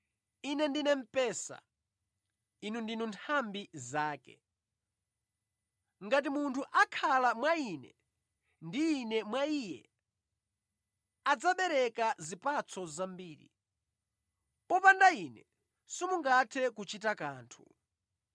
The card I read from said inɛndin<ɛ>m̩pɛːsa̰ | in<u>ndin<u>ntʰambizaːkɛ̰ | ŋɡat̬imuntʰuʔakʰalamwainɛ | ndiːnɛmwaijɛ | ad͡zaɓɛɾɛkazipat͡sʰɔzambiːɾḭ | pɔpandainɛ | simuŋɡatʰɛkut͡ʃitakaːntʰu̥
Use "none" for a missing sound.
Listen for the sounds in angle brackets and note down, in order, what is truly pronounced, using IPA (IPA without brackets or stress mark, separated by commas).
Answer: ɛ, u, u